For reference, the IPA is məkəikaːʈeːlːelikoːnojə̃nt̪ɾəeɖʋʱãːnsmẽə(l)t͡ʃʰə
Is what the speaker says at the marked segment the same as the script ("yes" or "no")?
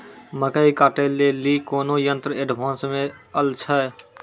yes